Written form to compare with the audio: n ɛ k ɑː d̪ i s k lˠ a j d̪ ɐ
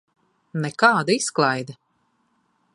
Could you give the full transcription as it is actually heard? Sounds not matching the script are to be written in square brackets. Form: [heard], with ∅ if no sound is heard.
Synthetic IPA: n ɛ k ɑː d̪ i s k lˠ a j d̪ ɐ

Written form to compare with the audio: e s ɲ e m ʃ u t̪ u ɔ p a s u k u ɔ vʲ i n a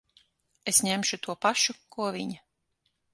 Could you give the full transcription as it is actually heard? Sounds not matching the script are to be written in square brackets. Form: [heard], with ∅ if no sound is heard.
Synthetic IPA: e s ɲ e m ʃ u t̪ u ɔ p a [ʃ] u k u ɔ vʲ i [ɲ] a

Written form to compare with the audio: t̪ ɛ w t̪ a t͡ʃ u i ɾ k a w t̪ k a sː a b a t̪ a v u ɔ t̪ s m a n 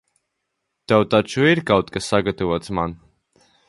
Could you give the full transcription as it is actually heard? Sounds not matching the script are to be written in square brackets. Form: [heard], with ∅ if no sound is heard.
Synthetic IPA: t̪ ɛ w t̪ a t͡ʃ u i ɾ k a w t̪ k a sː a [ɡ] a t̪ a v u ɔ t̪ s m a n

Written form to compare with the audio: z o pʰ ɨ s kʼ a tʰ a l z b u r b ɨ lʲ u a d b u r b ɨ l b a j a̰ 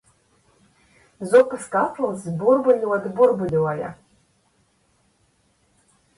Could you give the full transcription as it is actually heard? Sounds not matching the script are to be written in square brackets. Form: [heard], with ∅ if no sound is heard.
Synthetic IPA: z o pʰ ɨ s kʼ a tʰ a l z b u r b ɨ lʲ [w] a d b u r b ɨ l [w] a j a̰

